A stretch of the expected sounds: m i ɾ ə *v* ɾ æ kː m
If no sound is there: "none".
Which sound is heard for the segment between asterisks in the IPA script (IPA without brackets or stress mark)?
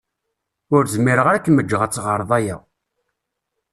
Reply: ʁ